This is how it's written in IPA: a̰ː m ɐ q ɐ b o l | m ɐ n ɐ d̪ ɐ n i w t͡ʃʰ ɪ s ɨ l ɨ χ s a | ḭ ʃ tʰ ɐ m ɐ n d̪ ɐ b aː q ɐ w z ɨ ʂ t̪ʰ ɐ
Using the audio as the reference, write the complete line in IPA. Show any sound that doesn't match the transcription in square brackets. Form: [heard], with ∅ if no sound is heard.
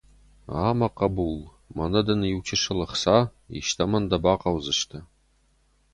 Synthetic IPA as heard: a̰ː m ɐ q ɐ b [u] l | m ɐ n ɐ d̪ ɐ n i w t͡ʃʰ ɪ [ʂ] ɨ l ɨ χ s a | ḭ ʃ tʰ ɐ m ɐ n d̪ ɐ b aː q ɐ w z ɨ ʂ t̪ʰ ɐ